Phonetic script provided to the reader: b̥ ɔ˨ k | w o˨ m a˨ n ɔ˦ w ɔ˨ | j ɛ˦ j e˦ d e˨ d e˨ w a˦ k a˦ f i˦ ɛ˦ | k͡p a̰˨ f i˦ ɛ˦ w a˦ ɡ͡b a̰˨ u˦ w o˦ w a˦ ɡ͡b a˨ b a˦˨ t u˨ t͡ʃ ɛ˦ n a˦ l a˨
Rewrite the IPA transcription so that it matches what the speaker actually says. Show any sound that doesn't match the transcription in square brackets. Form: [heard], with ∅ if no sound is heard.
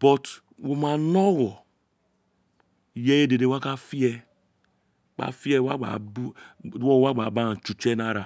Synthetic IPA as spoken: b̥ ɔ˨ [t] | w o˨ m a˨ n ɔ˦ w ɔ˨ | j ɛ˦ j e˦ d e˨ d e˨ w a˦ k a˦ f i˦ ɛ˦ | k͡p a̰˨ f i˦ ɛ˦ w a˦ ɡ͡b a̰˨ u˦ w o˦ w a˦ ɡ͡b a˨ b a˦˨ [t͡ʃ] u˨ t͡ʃ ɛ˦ n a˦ [ɾ] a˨

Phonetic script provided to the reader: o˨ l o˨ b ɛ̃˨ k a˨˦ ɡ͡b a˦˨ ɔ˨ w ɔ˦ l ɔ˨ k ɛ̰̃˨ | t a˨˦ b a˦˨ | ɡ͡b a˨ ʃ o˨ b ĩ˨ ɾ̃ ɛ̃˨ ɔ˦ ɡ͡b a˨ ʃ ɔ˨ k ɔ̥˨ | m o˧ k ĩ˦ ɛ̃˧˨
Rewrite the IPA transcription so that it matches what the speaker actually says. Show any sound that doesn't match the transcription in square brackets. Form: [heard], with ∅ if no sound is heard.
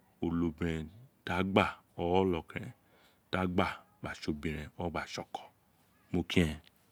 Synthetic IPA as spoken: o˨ l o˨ b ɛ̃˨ [t] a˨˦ ɡ͡b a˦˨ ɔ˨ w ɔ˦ l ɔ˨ k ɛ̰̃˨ | t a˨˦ [ɡ͡b] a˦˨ | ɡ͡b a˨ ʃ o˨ b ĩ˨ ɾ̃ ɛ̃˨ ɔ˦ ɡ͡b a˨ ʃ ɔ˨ k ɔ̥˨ | m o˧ k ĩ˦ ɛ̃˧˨

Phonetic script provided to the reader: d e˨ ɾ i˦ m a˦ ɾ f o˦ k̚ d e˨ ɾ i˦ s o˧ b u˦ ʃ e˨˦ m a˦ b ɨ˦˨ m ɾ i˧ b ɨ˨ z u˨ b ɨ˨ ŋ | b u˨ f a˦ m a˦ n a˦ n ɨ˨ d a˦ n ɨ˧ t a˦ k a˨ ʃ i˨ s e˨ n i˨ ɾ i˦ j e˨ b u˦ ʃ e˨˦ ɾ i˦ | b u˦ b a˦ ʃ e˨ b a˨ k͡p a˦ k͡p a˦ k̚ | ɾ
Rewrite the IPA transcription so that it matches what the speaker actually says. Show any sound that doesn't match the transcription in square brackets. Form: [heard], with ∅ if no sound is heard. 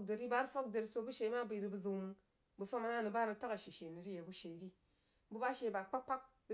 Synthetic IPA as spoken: d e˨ ɾ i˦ [b] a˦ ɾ f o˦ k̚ d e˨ ɾ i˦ s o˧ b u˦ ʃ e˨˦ m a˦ b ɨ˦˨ [∅] ɾ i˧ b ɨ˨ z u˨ [m] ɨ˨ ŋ | b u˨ f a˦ m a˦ n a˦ n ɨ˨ [b] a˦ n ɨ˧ t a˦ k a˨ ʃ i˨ [ʃ] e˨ n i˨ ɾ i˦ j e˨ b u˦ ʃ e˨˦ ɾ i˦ | b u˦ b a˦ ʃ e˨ b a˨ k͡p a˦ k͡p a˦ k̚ | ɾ

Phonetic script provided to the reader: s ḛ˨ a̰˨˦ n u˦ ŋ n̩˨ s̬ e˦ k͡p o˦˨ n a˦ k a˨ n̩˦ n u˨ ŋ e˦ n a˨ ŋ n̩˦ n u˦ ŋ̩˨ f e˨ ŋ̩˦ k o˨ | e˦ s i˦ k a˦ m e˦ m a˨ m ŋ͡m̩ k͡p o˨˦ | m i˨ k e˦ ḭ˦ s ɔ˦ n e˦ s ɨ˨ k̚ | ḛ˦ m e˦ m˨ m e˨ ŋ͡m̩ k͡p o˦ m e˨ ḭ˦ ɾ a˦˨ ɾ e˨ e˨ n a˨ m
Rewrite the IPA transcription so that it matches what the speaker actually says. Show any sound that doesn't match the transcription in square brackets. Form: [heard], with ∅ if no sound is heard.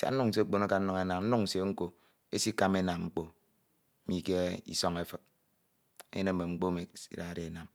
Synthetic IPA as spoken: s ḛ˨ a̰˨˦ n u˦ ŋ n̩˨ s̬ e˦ k͡p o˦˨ n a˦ k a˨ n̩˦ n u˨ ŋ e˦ n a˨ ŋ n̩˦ n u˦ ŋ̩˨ [s] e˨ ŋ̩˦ k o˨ | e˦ s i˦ k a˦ m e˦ [n] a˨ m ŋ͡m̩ k͡p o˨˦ | m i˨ k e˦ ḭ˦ s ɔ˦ [ŋ] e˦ [f] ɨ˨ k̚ | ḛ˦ [n] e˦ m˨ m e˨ ŋ͡m̩ k͡p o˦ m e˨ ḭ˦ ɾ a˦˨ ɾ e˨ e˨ n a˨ m

